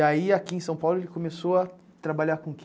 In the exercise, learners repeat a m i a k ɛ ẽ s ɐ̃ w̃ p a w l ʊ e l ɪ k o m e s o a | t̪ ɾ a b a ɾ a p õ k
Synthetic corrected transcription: a i a k i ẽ s ɐ̃ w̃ p a w l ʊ e l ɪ k o m e s o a | t̪ ɾ a b a ʎ a k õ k

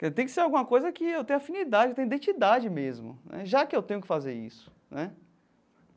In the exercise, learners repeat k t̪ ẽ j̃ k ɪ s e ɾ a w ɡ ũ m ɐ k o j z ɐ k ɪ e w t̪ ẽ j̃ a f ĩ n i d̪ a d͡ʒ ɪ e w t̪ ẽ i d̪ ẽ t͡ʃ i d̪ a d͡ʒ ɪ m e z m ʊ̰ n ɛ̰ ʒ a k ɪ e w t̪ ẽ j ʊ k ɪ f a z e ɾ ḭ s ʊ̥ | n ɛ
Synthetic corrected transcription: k t̪ ẽ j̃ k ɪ s e ɾ a w ɡ ũ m ɐ k o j z ɐ k ɪ e w t̪ ẽ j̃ a f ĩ n i d̪ a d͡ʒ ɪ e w t̪ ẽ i d̪ ẽ t͡ʃ i d̪ a d͡ʒ ɪ m e z m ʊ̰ n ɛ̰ ʒ a k ɪ e w t̪ ẽ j ʊ k ɪ f a z e ɾ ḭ s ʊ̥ | n ɛ

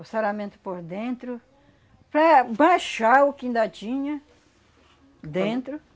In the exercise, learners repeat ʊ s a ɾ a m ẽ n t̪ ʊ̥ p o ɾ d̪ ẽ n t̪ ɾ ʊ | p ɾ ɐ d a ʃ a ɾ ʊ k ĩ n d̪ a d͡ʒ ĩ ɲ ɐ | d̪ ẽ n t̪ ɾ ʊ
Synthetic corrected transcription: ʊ s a ɾ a m ẽ n t̪ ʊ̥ p o ɾ d̪ ẽ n t̪ ɾ ʊ | p ɾ ɐ b a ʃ a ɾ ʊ k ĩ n d̪ a d͡ʒ ĩ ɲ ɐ | d̪ ẽ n t̪ ɾ ʊ

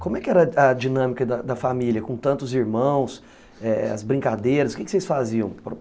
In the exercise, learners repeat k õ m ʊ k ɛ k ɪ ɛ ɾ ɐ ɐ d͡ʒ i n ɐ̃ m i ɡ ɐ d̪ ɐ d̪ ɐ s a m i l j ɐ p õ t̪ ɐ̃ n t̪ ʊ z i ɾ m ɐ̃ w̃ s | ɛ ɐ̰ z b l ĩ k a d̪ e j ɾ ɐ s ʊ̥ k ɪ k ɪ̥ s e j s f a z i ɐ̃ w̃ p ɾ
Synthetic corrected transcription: k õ m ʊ ɛ k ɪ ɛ ɾ ɐ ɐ d͡ʒ i n ɐ̃ m i k ɐ d̪ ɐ d̪ ɐ f a m i l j ɐ k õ t̪ ɐ̃ n t̪ ʊ z i ɾ m ɐ̃ w̃ s | ɛ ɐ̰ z b ɾ ĩ k a d̪ e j ɾ ɐ s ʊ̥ k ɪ k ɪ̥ s e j s f a z i ɐ̃ w̃ p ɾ

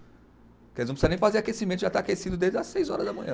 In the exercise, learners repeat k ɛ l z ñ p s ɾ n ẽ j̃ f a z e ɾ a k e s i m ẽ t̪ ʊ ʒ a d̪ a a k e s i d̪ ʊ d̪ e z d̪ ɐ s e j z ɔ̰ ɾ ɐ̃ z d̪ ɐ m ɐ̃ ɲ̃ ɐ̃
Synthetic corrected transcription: k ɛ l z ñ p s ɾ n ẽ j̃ f a z e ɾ a k e s i m ẽ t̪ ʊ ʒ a t̪ a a k e s i d̪ ʊ d̪ e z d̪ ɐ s e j z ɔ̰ ɾ ɐ z d̪ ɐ m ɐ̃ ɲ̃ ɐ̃

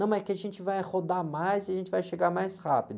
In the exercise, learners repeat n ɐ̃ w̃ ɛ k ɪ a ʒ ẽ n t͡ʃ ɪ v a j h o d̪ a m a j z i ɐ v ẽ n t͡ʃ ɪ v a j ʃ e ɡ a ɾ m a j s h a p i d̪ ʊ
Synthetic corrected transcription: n ɐ̃ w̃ ɛ k ɪ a ʒ ẽ n t͡ʃ ɪ v a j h o d̪ a m a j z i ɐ ʒ ẽ n t͡ʃ ɪ v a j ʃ e ɡ a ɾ m a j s h a p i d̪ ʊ

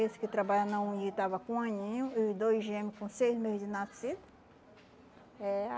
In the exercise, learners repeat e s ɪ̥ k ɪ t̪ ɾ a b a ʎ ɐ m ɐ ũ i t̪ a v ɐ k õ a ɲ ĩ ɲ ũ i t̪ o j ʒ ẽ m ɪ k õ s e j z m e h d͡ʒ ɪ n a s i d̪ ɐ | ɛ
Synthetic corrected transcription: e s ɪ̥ k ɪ t̪ ɾ a b a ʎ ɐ n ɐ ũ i t̪ a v ɐ k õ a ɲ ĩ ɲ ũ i d̪ o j ʒ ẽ m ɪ k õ s e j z m e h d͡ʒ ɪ n a s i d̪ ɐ | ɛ

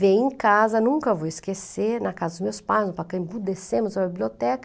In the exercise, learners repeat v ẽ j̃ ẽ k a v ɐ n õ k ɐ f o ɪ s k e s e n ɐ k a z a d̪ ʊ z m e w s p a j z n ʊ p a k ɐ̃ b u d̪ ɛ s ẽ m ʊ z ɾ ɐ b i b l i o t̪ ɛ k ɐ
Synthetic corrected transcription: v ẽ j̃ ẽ k a z ɐ n ũ k ɐ v o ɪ s k e s e n ɐ k a z ɐ d̪ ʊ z m e w s p a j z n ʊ p a k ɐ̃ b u d̪ e s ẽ m ʊ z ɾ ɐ b i b l i o t̪ ɛ k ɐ

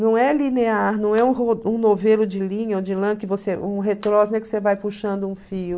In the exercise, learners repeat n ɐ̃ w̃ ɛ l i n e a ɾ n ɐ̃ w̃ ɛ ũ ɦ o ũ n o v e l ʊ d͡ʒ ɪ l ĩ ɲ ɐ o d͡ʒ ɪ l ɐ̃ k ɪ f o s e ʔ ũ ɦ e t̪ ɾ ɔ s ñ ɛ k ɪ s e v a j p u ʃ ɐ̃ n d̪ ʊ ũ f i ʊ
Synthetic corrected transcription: n ɐ̃ w̃ ɛ l i n e a ɾ n ɐ̃ w̃ ɛ ũ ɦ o ũ n o v e l ʊ d͡ʒ ɪ l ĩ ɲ ɐ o d͡ʒ ɪ l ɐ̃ k ɪ v o s e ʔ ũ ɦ e t̪ ɾ ɔ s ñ ɛ k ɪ s e v a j p u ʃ ɐ̃ n d̪ ʊ ũ f i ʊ

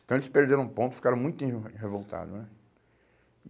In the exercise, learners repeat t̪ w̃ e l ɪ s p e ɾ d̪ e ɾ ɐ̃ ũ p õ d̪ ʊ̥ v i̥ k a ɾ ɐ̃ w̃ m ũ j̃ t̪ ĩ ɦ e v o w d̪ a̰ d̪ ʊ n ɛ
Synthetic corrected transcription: t̪ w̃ e l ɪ s p e ɾ d̪ e ɾ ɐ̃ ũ p õ t̪ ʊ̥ f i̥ k a ɾ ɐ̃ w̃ m ũ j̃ t̪ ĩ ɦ e v o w t̪ a̰ d̪ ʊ n ɛ

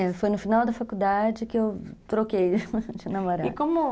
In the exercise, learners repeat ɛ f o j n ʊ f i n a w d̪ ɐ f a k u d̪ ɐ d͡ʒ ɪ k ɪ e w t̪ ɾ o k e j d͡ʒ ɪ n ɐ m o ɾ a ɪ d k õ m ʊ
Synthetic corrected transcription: ɛ f o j n ʊ f i n a w d̪ ɐ f a k u d̪ a d͡ʒ ɪ k ɪ e w t̪ ɾ o k e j d͡ʒ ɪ n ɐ m o ɾ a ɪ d k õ m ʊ

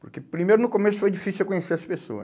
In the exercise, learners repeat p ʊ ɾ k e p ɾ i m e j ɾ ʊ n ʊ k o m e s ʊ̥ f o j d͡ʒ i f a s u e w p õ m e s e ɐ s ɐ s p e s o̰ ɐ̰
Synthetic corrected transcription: p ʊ ɾ k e p ɾ i m e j ɾ ʊ n ʊ k o m e s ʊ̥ f o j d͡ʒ i f i s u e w k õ ɲ e s e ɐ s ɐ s p e s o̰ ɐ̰

